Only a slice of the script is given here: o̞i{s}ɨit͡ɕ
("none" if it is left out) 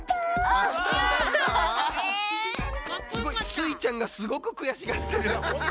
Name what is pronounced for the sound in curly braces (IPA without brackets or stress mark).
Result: s